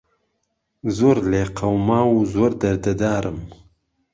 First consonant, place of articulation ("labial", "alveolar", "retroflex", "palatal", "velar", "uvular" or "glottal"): alveolar